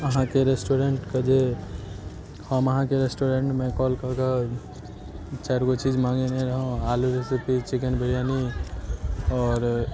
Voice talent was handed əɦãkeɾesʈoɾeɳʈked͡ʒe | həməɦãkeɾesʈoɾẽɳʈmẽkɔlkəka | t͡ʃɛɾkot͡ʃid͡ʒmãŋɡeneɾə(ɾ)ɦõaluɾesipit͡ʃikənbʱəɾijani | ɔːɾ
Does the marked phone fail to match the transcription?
yes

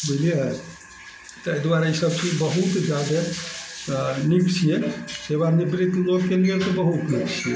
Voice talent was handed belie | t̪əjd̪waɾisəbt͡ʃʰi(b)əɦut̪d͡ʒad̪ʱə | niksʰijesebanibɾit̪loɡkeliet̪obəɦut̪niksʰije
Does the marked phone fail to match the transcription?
no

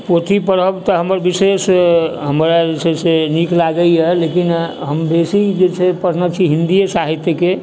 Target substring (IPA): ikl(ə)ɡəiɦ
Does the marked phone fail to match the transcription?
yes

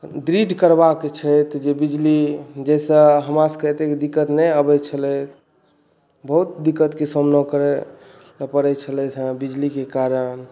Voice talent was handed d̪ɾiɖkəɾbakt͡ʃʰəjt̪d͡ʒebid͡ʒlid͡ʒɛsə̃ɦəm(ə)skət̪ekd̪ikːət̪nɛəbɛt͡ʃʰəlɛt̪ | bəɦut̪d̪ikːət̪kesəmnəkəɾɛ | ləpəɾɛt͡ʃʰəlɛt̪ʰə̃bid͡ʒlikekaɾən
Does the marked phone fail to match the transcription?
yes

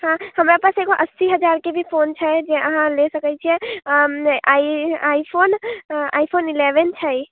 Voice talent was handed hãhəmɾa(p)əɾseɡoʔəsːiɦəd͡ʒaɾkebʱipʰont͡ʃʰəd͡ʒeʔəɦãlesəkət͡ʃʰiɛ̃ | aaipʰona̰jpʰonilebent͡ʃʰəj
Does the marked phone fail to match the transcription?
no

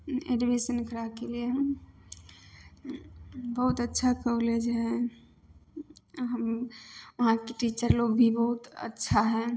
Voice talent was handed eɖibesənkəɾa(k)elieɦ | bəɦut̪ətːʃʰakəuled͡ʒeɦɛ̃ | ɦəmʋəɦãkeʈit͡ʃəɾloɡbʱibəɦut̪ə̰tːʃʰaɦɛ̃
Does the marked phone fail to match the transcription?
no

